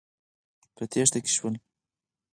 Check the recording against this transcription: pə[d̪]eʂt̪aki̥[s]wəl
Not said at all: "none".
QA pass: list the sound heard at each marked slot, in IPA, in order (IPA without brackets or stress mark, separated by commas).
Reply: t̪, ʃ